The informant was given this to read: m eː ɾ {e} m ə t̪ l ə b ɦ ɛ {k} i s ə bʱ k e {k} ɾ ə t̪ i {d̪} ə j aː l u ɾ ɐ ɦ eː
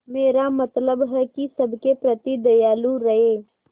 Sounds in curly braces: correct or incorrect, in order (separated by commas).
incorrect, correct, incorrect, correct